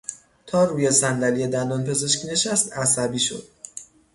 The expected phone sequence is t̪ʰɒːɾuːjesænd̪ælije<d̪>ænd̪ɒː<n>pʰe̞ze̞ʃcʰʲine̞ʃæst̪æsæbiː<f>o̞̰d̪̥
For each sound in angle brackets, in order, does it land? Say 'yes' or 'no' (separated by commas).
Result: yes, yes, no